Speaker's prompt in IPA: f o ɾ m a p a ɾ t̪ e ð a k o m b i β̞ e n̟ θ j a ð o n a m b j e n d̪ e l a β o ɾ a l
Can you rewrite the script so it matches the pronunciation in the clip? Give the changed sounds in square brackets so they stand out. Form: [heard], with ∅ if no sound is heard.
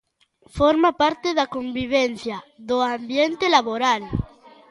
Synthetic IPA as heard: f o ɾ m a p a ɾ t̪ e ð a k o m b i β̞ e n̟ θ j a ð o [∅] a m b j e n [t̪] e l a β o ɾ a l